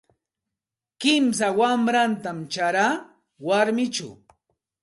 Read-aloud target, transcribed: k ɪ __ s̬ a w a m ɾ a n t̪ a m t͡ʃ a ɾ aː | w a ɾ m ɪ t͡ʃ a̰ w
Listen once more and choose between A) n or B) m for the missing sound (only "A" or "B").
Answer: B